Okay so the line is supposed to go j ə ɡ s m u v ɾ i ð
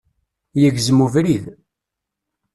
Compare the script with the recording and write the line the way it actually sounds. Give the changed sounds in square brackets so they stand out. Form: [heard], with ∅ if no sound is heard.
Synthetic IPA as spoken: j ə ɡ [z] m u v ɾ i ð